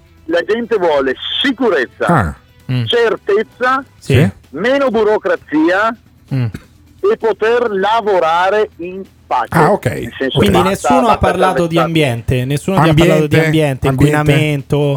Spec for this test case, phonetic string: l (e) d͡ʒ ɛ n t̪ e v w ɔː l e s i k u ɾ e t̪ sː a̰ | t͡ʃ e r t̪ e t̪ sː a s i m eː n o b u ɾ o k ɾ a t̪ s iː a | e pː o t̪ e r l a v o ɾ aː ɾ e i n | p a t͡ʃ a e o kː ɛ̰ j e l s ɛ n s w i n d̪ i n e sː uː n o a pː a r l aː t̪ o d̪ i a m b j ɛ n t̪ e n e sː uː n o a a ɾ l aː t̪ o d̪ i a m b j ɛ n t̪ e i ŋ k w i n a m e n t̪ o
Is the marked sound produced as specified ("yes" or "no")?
no